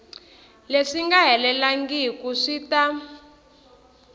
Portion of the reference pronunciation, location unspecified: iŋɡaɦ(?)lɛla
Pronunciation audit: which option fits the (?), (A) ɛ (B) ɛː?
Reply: A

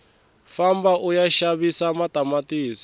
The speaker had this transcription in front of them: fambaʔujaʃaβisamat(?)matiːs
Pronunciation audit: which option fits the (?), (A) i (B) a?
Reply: B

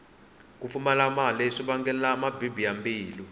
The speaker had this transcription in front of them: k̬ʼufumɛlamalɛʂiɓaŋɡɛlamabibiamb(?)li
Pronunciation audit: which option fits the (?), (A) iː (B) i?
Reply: A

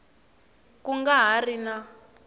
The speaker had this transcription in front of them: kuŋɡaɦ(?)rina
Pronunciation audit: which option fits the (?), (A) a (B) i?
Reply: A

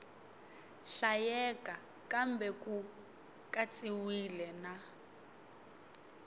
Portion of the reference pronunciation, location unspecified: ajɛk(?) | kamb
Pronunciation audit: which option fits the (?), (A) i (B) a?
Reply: B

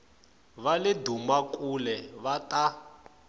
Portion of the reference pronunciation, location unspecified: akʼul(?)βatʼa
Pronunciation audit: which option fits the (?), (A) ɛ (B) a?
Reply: A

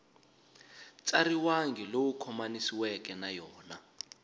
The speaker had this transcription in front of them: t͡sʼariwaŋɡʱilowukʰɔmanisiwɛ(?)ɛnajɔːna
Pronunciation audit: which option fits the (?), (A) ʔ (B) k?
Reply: B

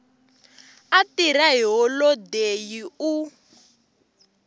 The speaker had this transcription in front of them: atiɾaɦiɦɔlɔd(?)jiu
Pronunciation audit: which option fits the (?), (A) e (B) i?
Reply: A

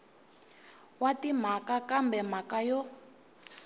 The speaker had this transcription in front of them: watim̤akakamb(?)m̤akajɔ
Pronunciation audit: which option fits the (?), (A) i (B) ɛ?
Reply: B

